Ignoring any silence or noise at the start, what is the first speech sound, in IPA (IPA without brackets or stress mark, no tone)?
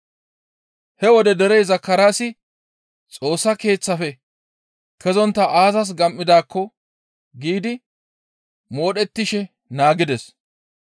h